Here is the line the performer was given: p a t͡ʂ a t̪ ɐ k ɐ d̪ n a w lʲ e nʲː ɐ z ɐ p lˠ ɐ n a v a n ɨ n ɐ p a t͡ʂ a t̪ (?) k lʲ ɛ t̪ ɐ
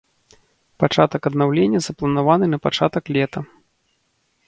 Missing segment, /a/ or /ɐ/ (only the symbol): ɐ